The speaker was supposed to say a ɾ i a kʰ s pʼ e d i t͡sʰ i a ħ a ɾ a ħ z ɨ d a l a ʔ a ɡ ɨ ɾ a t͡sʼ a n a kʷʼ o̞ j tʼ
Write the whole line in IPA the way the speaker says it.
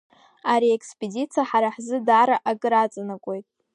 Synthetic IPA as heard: a ɾ i e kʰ s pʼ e d i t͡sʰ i a ħ a ɾ a ħ z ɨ d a ɾ a ʔ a ɡ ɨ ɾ a t͡sʼ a n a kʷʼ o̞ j tʼ